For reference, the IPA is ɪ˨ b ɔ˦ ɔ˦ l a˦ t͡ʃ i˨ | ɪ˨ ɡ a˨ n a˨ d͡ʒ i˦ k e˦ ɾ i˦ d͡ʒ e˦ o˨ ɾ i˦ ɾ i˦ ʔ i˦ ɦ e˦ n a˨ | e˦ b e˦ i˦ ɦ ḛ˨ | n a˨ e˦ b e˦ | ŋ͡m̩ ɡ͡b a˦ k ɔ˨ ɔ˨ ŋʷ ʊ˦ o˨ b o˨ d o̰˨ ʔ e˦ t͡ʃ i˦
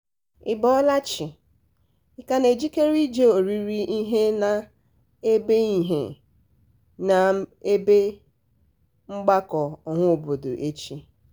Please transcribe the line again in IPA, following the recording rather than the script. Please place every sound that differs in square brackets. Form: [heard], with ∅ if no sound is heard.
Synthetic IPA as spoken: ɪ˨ b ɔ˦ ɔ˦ l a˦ t͡ʃ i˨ | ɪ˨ [k] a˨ n [e˨] d͡ʒ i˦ k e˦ ɾ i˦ d͡ʒ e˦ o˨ ɾ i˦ ɾ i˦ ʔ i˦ ɦ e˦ n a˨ | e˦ b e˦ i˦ ɦ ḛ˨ | n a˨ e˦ b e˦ | ŋ͡m̩ ɡ͡b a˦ k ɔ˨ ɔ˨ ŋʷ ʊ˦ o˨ b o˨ d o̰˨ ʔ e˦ t͡ʃ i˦